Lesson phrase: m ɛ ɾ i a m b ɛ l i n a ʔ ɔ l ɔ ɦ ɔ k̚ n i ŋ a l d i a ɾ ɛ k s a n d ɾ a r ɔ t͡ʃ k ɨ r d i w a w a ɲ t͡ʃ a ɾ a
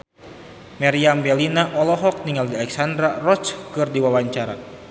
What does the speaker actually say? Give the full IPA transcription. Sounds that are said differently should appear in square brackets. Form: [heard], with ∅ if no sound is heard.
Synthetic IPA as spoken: m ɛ ɾ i a m b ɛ l i n a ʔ ɔ l ɔ ɦ ɔ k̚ n i ŋ a l d i a [l] ɛ k s a n d ɾ a r ɔ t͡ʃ k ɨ r d i w a w a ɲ t͡ʃ a ɾ a